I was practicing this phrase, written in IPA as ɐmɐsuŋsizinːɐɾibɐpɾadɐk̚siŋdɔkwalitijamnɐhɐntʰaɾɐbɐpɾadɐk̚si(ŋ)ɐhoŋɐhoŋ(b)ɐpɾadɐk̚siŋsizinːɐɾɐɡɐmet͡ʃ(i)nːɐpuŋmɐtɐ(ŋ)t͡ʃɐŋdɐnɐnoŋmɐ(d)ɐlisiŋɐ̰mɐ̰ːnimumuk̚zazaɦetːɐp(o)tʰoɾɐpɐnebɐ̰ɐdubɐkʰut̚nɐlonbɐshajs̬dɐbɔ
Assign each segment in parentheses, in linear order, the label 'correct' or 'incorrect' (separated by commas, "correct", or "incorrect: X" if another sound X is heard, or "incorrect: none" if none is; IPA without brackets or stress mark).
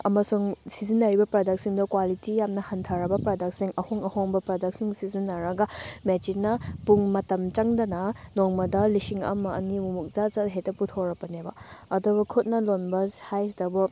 correct, correct, correct, incorrect: m, correct, incorrect: u